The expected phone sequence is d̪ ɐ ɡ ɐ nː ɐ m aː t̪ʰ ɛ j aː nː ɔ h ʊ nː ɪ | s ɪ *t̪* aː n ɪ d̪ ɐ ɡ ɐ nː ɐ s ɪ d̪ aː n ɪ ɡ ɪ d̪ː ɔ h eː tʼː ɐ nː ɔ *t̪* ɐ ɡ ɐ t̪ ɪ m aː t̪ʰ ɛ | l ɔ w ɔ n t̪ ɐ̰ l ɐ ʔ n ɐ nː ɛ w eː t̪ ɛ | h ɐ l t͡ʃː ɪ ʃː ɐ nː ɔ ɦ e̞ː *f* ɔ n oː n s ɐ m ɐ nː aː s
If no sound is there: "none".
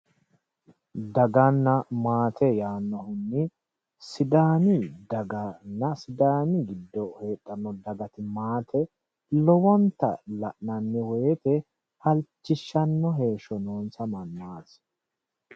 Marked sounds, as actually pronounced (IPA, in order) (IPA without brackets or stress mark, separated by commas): d̪, d̪, ʃ